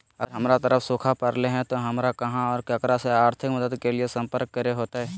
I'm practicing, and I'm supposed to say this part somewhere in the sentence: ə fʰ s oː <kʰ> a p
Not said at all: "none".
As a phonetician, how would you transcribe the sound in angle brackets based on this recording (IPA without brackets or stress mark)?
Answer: kʰ